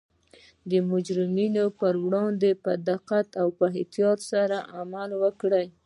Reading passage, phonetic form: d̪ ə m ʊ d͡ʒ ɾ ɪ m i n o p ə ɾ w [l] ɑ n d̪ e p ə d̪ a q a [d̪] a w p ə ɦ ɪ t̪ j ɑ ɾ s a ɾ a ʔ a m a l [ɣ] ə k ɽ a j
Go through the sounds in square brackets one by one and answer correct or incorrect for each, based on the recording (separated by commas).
incorrect, incorrect, incorrect